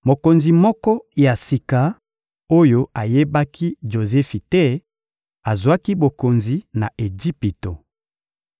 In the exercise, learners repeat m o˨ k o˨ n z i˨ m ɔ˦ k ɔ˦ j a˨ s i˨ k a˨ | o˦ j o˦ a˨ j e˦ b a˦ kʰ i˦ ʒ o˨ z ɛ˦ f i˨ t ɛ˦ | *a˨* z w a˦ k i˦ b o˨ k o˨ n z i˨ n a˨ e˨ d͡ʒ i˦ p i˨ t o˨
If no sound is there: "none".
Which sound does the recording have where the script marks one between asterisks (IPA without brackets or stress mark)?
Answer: a˨